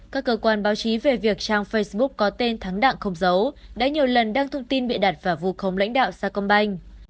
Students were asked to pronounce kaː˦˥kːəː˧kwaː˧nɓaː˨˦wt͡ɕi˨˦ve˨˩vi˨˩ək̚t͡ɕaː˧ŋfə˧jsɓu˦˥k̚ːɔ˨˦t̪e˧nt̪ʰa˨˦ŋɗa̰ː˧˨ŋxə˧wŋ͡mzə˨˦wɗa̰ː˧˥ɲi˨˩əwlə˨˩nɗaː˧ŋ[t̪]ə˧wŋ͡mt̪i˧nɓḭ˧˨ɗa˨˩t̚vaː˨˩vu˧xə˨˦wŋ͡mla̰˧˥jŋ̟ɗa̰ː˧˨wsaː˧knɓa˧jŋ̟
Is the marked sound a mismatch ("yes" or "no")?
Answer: yes